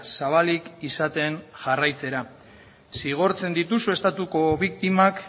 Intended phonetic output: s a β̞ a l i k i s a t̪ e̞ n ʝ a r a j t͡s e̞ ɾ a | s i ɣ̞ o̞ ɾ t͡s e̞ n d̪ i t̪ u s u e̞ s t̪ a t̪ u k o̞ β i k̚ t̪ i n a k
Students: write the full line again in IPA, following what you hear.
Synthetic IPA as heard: s a β̞ a l i k i s a t̪ e̞ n ʝ a r a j t͡s e̞ ɾ a | s i ɣ̞ o̞ ɾ t͡s e̞ n d̪ i t̪ u s u e̞ s t̪ a t̪ u k o̞ β i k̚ t̪ i m a k